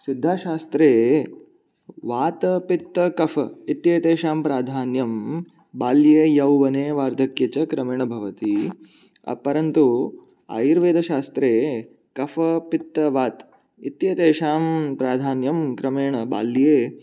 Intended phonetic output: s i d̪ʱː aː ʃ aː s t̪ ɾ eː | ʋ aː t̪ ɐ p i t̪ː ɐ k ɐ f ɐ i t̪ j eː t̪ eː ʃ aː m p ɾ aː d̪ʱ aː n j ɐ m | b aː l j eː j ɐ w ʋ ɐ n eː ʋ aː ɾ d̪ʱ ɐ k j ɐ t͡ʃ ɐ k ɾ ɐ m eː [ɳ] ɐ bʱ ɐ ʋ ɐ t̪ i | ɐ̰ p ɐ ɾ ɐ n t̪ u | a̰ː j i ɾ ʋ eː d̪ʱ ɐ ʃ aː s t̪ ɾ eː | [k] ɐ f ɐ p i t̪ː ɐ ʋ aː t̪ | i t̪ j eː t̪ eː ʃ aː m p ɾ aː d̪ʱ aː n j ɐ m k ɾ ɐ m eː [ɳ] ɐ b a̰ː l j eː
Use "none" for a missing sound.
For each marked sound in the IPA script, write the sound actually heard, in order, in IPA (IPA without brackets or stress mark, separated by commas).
ɳ, k, ɳ